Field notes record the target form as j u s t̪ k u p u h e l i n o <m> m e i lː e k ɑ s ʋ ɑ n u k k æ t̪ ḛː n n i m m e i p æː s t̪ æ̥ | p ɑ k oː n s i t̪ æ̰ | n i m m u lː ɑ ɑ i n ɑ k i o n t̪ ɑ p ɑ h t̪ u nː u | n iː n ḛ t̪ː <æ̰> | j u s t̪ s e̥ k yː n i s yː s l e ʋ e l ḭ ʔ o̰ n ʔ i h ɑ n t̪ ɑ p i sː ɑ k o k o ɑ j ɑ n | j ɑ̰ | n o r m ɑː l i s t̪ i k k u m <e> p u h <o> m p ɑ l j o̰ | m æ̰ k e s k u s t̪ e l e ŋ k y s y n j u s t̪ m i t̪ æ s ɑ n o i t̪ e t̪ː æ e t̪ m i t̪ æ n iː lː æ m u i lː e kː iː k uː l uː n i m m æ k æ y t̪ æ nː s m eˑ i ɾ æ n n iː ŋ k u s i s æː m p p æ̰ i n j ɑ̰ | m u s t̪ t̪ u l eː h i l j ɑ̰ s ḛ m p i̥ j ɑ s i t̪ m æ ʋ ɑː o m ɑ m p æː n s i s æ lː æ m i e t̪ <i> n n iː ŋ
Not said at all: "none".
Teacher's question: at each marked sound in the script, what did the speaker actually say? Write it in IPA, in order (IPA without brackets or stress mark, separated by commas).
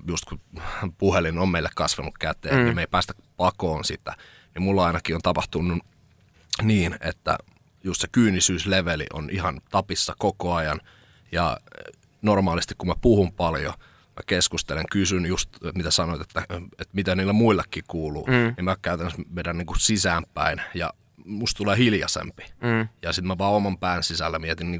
m, æ̰, æ, u, i